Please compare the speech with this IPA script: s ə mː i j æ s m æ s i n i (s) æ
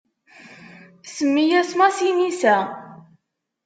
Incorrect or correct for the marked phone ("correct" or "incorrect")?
correct